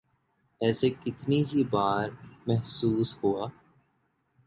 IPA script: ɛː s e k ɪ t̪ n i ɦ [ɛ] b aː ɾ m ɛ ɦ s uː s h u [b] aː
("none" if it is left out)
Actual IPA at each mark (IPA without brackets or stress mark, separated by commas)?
i, none